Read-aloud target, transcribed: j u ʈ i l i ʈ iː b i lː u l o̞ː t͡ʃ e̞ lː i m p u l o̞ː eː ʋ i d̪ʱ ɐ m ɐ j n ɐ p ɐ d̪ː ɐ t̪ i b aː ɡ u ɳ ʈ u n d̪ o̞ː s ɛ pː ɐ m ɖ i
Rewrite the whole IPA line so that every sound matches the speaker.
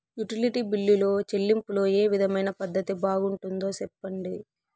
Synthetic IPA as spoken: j u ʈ i l i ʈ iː b i lː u l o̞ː t͡ʃ e̞ lː i m p u l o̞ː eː ʋ i d̪ʱ ɐ m ɐ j n ɐ p ɐ d̪ː ɐ t̪ i b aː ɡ u ɳ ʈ u n d̪ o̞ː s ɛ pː ɐ ɳ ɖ i